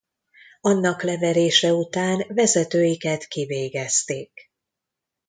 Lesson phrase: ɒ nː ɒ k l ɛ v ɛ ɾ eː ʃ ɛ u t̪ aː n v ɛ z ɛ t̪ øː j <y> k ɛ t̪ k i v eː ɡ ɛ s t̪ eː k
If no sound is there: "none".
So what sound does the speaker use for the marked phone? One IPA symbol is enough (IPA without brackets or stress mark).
i